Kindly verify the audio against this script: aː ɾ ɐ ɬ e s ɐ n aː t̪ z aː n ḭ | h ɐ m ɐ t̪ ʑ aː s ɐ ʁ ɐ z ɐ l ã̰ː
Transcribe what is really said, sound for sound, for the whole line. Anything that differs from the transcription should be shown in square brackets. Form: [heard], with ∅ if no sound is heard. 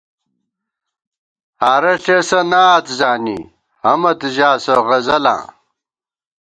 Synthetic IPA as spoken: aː ɾ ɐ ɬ e s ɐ n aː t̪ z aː n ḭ | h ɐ m ɐ t̪ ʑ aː s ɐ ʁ ɐ z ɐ l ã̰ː